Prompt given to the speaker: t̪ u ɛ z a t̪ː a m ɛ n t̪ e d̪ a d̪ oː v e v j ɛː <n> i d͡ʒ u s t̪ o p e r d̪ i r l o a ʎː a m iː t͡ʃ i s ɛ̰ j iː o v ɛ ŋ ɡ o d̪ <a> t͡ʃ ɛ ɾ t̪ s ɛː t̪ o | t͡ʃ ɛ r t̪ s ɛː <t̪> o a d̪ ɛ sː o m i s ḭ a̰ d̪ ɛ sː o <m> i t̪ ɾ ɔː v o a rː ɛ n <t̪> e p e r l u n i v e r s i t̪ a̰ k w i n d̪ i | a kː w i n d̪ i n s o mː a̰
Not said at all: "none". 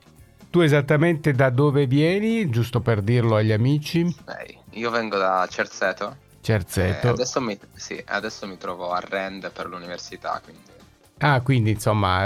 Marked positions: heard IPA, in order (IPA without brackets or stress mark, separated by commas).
n, a, t̪, m, d̪